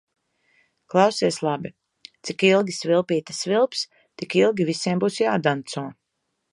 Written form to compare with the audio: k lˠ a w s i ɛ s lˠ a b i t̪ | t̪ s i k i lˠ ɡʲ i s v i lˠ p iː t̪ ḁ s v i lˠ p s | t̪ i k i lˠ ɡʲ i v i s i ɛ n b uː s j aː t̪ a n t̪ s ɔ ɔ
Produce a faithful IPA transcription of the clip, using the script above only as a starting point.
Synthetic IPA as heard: k lˠ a w s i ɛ s lˠ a b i | t̪ s i k i lˠ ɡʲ i s v i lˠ p iː t̪ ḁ s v i lˠ p s | t̪ i k i lˠ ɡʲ i v i s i ɛ m b uː s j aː d̪ a n t̪ s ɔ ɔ